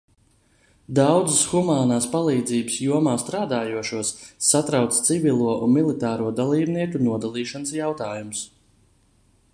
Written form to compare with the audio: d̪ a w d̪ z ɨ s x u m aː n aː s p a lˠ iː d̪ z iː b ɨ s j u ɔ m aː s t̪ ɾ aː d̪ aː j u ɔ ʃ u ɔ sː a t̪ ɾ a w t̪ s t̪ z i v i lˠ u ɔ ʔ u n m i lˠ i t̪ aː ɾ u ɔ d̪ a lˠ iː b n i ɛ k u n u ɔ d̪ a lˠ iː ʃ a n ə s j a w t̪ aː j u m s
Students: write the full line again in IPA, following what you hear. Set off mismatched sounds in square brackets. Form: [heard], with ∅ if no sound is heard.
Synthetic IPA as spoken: d̪ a w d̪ z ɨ s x u m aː n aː s p a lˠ iː d̪ z iː b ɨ s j u ɔ m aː s t̪ ɾ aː d̪ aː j u ɔ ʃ u ɔ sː a t̪ ɾ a w t̪ s t̪ [s] i v i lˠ u ɔ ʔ u n m i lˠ i t̪ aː ɾ u ɔ d̪ a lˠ iː b n i ɛ k u n u ɔ d̪ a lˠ iː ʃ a n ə s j a w t̪ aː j u m s